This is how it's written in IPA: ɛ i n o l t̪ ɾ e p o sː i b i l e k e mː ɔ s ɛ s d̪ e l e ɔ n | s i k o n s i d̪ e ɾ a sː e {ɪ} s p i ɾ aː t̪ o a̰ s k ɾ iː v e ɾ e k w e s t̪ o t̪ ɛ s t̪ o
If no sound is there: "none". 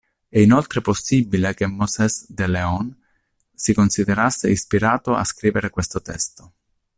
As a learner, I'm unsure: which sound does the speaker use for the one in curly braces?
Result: i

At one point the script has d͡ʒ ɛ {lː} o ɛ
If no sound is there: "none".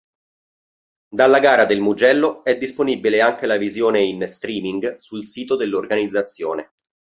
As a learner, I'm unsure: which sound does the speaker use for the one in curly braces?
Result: lː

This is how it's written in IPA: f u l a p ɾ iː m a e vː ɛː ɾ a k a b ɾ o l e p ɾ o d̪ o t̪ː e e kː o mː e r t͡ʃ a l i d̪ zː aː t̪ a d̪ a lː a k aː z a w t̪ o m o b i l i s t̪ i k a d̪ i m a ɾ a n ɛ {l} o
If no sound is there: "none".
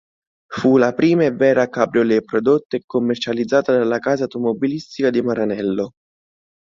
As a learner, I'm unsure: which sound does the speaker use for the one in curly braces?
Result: lː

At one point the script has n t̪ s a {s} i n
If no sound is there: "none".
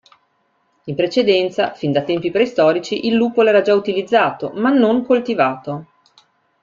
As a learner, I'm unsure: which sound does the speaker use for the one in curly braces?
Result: f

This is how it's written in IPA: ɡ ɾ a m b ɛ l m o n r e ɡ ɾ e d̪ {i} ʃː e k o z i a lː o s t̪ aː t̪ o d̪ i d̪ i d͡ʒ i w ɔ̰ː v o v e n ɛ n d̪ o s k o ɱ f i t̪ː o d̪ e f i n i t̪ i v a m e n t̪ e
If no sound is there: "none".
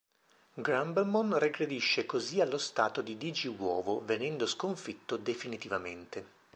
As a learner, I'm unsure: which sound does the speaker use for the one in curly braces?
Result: i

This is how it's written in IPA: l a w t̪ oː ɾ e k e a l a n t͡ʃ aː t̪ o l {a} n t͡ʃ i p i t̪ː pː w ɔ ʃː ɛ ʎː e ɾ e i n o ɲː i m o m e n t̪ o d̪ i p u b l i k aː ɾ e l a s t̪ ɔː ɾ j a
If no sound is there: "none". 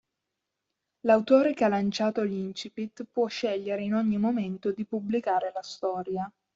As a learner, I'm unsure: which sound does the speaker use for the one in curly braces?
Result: i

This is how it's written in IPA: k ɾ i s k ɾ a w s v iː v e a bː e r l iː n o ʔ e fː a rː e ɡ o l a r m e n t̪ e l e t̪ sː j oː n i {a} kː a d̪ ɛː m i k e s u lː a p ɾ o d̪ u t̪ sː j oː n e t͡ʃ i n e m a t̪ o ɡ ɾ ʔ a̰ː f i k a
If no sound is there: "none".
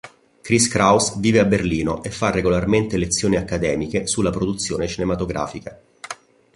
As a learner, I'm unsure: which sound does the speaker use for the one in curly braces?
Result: a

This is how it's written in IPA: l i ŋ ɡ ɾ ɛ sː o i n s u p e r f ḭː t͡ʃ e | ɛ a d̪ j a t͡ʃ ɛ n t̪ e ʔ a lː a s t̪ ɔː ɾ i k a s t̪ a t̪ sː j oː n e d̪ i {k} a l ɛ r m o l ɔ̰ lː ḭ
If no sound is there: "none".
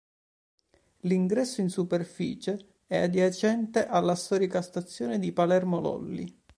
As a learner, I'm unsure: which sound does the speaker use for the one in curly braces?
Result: p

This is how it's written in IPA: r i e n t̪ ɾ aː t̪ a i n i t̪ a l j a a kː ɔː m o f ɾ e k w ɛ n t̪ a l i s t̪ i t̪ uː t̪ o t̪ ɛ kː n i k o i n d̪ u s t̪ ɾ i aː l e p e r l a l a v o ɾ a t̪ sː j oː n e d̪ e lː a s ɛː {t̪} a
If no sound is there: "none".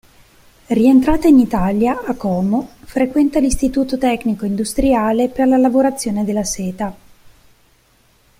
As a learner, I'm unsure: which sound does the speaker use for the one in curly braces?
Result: t̪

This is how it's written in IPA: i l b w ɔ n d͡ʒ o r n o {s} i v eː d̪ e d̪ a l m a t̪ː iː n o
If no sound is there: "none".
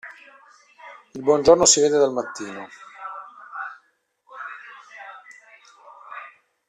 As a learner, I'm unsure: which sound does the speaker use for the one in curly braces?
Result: s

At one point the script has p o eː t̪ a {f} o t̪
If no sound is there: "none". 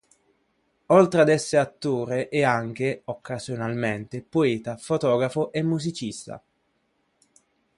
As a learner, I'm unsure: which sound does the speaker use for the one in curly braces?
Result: f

